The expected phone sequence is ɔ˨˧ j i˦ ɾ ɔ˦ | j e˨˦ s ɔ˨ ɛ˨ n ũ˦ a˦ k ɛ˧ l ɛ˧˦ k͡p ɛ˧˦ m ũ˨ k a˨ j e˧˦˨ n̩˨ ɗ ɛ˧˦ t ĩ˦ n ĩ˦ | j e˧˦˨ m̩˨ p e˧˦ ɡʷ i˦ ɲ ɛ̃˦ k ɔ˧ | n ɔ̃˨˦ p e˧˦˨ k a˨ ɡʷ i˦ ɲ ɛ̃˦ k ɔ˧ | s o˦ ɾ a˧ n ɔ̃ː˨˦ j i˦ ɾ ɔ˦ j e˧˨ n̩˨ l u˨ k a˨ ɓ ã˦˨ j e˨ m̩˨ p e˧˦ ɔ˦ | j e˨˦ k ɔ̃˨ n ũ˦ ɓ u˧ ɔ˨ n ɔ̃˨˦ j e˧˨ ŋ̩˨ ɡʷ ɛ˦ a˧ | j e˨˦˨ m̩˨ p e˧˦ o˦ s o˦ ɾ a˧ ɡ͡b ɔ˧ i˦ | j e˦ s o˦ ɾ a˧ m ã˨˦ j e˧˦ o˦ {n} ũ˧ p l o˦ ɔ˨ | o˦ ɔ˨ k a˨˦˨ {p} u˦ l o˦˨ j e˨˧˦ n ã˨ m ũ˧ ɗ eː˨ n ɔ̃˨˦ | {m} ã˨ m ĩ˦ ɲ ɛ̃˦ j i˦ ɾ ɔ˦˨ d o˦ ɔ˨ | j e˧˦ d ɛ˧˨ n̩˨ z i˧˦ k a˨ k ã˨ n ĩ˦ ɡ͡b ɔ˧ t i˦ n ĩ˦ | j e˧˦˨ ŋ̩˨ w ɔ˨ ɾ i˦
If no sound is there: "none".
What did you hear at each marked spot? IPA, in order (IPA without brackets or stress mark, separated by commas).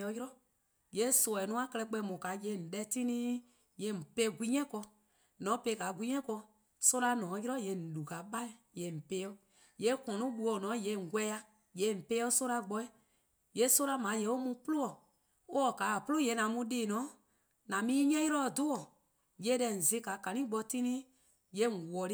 m, p, n